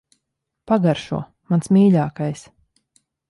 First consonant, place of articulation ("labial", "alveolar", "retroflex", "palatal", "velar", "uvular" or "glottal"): labial